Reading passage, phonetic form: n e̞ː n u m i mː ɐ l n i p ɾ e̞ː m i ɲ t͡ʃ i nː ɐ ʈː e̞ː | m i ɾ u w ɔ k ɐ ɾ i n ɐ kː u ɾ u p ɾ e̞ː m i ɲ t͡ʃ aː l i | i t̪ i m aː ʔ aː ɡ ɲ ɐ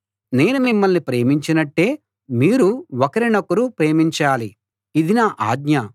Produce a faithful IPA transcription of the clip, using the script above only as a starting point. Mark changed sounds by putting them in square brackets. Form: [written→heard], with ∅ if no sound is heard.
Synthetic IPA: n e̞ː n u m i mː ɐ l n i p ɾ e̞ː m i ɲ t͡ʃ i [nː→n] ɐ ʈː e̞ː | m [i→iː] ɾ u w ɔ k ɐ ɾ i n ɐ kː u ɾ u p ɾ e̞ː m i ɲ t͡ʃ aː l i | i [t̪→d̪] i [m→n] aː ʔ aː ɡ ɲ ɐ